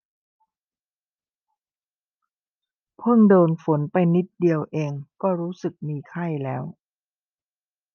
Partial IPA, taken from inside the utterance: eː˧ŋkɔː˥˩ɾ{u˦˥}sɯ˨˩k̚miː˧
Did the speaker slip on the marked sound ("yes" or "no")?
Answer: yes